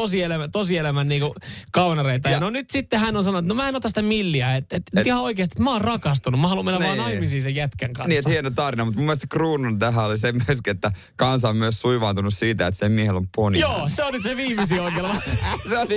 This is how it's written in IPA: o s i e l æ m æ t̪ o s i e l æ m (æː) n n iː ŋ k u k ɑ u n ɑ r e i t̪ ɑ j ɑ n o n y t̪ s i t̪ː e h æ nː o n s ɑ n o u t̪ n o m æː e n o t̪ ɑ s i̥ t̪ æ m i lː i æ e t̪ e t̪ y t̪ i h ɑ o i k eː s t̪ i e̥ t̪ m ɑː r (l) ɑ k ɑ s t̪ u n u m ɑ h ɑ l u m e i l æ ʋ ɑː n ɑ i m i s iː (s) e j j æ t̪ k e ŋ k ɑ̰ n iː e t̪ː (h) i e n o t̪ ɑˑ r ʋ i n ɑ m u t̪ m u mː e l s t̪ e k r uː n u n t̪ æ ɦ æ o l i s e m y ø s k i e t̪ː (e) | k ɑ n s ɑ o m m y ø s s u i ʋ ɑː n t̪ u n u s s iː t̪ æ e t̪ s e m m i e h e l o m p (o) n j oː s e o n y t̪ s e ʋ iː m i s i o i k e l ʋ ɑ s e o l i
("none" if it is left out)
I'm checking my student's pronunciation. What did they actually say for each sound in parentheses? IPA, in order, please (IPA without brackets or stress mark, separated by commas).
æ, r, s, h, æ, o